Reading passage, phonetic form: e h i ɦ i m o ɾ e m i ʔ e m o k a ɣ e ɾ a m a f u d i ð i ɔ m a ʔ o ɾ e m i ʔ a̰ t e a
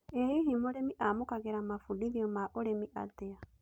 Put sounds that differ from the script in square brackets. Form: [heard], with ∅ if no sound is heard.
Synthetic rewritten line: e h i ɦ i m o ɾ e m i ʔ [a] m o k a ɣ e ɾ a m a f u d i ð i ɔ m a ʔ o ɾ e m i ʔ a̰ t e a

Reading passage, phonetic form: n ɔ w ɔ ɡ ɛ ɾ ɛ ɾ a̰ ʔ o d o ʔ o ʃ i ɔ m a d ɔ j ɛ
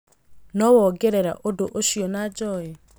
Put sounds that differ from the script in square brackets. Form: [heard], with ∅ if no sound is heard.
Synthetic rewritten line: n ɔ w ɔ ɡ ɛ ɾ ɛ ɾ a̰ ʔ o d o ʔ o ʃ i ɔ [n] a [d͡ʒ] ɔ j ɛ

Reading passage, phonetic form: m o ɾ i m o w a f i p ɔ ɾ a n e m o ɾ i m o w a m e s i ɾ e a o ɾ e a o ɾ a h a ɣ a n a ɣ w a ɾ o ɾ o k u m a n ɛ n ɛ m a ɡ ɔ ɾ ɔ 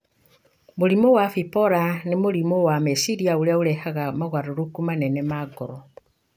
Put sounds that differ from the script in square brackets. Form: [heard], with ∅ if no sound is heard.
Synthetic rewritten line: m o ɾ i m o w a f i p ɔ ɾ a n e m o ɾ i m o w a m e s i ɾ [i] a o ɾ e a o ɾ [ɛ] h a ɣ a [m] a ɣ w a ɾ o ɾ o k u m a n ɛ n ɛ m a ɡ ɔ ɾ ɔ

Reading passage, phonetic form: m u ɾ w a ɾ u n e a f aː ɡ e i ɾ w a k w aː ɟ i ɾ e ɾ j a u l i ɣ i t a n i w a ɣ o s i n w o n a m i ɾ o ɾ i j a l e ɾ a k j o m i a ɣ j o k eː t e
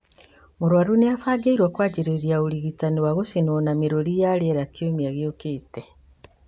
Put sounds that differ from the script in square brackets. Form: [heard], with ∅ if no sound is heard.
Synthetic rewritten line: m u ɾ w a ɾ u n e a f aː ɡ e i ɾ w a k w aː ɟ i ɾ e ɾ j a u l i ɣ i t a n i w a ɣ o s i n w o n a m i ɾ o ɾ i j a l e ɾ a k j o m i a ɣ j o k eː t e

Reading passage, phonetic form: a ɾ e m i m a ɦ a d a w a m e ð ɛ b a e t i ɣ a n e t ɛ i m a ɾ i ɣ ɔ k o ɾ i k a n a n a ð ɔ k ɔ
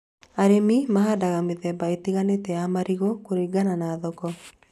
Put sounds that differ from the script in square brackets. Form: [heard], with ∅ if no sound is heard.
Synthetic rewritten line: a ɾ e m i m a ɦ a d a [ɣ] a m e ð ɛ b a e t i ɣ a n e t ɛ [a] m a ɾ i ɣ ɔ k o ɾ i [ɡ] a n a n a ð ɔ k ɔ

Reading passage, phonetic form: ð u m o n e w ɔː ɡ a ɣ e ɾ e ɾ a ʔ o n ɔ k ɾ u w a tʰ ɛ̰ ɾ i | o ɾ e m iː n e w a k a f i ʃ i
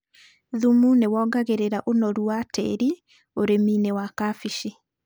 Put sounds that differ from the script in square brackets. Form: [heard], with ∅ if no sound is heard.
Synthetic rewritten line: ð u m [u] n e w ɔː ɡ a ɣ e ɾ e ɾ a ʔ o n ɔ [∅] ɾ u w a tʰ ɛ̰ ɾ i | o ɾ e m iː n e w a k a f i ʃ i

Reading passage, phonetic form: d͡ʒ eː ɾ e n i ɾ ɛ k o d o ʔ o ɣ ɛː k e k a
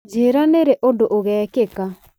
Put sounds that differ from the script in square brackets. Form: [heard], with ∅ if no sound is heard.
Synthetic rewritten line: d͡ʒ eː ɾ [a] n [e] ɾ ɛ [ʔ] o d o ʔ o ɣ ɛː k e k a

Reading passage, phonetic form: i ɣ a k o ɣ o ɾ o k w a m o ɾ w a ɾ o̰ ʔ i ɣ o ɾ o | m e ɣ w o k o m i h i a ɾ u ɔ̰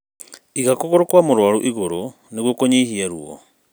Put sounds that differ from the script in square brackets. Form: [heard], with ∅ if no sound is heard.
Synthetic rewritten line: i ɣ a k o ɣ o ɾ o k w a m o ɾ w a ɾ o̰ ʔ i ɣ o ɾ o | [n] e ɣ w o k o [ɲ] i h i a ɾ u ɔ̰

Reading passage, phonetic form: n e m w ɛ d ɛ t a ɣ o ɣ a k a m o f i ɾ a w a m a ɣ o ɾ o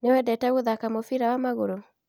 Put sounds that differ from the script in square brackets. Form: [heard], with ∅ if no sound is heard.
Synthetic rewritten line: n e [∅] w ɛ d ɛ t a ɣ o [ð] a k a m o f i ɾ a w a m a ɣ o ɾ o

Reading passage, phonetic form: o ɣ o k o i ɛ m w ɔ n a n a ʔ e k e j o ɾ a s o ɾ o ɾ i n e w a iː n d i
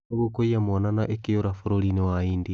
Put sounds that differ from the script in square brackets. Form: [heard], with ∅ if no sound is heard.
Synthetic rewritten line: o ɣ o k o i [a] m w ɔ n a n a ʔ e k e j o ɾ a [f] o ɾ o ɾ i n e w a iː n d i

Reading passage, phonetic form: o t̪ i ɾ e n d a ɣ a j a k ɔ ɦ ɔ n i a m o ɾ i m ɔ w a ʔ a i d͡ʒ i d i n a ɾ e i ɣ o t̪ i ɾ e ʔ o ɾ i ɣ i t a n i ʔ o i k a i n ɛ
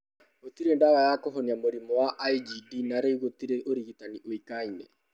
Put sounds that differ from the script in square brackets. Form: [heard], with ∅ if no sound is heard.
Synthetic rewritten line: o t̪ i ɾ e n d a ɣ a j a k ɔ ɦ ɔ n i a m o ɾ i m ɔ w a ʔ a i d͡ʒ i d i n a ɾ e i ɣ o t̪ i ɾ e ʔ o ɾ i ɣ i t a n i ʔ o i k a i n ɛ

